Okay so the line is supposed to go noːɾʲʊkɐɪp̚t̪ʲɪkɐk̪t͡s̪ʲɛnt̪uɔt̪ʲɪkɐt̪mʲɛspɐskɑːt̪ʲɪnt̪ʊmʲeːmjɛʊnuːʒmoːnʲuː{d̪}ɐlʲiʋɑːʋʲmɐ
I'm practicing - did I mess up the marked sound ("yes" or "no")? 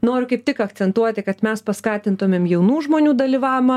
no